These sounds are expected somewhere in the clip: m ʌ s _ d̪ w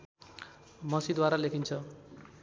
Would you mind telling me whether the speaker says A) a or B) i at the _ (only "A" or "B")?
B